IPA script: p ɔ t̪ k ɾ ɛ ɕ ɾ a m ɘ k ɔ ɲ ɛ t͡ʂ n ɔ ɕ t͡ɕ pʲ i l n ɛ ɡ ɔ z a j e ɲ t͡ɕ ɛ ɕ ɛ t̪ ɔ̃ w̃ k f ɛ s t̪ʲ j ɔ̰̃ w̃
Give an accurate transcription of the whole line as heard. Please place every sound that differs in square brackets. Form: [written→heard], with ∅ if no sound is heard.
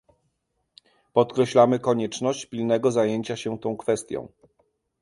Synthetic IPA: p ɔ t̪ k ɾ ɛ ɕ [ɾ→l] a m ɘ k ɔ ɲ ɛ t͡ʂ n ɔ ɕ t͡ɕ pʲ i l n ɛ ɡ ɔ z a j e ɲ t͡ɕ [ɛ→a] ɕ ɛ t̪ ɔ̃ w̃ k f ɛ s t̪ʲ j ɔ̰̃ w̃